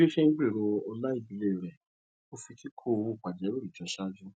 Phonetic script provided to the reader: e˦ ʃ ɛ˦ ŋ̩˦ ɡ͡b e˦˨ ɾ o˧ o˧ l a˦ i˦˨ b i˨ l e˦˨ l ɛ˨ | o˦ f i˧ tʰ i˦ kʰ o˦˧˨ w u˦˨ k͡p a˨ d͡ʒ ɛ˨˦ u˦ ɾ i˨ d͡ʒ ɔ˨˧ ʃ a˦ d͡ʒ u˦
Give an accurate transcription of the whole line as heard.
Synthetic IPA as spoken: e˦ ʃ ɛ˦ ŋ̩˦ ɡ͡b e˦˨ ɾ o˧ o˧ l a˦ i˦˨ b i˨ l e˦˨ ɾ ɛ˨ | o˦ f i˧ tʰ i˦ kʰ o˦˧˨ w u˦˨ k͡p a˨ d͡ʒ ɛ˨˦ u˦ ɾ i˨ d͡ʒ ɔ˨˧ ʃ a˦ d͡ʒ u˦